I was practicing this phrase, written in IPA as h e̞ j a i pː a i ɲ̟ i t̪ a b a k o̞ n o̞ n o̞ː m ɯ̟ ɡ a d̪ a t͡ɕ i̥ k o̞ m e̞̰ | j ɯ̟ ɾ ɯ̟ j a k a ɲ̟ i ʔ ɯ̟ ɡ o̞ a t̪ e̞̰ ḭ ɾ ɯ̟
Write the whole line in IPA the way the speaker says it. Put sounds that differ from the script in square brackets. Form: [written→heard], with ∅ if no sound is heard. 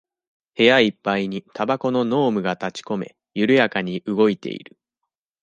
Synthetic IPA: h e̞ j a i pː a i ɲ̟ i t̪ a b a k o̞ n o̞ n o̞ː m ɯ̟ ɡ a [d̪→t̪] a t͡ɕ i̥ k o̞ m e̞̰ | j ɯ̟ ɾ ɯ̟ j a k a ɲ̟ i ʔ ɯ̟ ɡ o̞ [a→i] t̪ e̞̰ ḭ ɾ ɯ̟